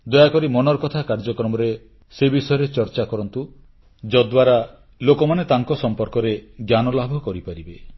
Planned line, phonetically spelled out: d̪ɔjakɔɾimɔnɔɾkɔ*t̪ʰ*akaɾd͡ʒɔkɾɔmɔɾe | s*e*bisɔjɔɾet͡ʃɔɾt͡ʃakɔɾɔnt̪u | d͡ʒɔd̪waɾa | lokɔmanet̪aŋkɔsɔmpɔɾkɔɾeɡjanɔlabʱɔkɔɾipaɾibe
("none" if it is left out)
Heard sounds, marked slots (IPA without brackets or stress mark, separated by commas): t̪ʰ, e